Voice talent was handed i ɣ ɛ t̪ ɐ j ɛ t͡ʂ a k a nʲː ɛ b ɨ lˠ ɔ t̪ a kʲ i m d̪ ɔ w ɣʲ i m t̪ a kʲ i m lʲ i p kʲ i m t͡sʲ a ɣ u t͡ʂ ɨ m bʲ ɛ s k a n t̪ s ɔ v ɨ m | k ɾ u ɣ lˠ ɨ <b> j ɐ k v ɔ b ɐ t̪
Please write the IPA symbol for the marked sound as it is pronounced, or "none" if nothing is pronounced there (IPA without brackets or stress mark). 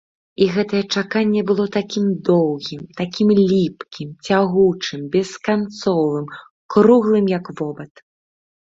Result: m